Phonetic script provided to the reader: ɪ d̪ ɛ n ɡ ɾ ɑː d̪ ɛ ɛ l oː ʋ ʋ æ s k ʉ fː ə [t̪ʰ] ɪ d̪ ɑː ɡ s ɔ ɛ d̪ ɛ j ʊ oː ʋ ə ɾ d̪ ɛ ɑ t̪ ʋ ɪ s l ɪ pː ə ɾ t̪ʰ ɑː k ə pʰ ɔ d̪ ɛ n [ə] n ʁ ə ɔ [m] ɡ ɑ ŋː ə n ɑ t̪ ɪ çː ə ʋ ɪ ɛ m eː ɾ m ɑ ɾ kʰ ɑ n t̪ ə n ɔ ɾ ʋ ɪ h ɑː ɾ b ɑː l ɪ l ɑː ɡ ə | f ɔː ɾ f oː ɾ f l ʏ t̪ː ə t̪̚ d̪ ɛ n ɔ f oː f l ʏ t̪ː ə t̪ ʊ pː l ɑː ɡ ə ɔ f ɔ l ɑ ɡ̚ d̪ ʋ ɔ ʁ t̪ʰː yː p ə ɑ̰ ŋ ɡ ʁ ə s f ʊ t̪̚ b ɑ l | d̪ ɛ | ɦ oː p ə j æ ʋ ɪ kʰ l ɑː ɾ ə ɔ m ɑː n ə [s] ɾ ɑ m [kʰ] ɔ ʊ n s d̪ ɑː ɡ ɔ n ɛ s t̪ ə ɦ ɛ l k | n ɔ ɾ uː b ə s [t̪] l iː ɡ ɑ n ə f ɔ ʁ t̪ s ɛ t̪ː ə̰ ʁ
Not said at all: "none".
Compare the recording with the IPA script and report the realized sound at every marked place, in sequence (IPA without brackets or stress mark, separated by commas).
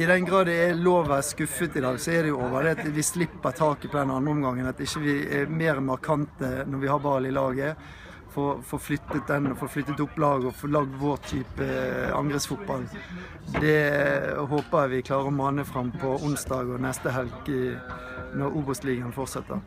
t̪, ɑ, m, f, pʰ, t̪